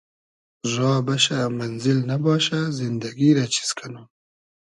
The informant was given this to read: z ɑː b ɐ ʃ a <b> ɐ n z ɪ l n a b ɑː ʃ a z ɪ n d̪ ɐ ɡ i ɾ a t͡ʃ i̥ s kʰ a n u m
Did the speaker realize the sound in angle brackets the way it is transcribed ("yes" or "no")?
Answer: no